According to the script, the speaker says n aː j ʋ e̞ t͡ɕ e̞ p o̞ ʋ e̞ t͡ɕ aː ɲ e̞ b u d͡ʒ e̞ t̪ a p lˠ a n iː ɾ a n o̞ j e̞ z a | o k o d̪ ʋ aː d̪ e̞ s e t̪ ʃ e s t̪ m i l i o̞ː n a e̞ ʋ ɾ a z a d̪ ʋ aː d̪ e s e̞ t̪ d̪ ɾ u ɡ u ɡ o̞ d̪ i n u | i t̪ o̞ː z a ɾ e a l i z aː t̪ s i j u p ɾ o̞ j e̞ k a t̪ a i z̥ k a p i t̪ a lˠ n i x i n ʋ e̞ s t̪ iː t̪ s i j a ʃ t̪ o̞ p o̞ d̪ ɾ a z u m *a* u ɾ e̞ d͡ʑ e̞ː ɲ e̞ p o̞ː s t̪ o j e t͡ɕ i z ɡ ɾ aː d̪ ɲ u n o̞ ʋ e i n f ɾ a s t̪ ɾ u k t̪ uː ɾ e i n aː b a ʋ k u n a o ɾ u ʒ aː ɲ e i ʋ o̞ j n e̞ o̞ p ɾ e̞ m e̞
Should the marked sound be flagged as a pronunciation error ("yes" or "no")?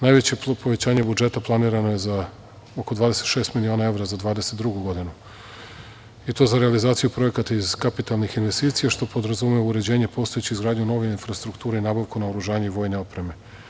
yes